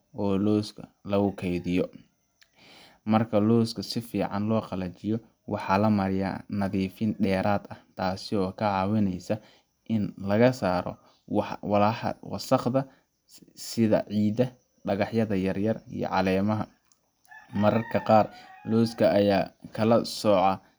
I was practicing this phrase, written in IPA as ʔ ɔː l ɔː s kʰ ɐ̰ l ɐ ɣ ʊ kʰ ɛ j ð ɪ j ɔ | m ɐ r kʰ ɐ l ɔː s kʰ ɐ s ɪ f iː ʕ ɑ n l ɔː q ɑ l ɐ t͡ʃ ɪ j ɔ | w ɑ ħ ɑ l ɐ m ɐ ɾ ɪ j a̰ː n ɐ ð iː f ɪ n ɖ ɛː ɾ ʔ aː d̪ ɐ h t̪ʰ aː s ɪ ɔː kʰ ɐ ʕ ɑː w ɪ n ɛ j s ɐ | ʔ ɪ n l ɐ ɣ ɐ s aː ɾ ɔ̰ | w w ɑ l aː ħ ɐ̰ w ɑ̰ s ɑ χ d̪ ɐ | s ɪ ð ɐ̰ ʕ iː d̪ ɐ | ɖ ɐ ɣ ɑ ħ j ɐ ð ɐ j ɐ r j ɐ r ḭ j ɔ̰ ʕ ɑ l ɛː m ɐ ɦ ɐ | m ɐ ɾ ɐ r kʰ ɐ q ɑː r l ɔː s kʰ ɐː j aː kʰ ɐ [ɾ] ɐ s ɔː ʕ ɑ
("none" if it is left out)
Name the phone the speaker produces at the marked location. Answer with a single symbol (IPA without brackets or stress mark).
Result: l